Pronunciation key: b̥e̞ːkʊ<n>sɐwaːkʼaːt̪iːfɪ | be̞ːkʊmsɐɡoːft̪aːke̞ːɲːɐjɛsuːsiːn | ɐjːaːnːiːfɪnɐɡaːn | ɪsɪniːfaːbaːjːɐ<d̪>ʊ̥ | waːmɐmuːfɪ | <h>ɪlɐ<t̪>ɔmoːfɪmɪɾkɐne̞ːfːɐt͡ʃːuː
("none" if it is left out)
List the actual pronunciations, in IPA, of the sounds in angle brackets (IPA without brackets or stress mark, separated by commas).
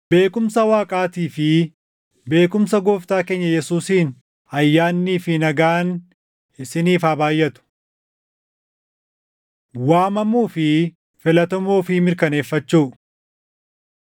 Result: m, t̪, f, t̪